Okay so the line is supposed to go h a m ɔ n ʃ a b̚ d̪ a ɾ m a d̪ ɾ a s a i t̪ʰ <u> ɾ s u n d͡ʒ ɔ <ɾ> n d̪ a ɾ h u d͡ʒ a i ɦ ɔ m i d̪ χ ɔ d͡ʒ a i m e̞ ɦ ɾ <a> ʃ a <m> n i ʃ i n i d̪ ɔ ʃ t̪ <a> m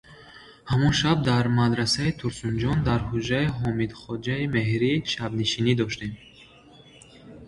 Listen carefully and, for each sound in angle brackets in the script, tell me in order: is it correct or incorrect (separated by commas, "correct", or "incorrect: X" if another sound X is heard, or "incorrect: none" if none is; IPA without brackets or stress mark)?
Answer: correct, incorrect: none, incorrect: i, incorrect: b, incorrect: e